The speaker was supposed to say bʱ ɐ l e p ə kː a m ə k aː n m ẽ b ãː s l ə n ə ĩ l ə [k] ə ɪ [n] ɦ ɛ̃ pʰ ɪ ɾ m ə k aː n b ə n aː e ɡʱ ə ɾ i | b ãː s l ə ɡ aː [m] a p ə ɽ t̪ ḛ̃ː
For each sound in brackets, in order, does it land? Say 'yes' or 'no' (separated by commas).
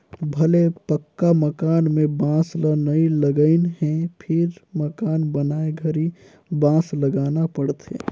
no, yes, no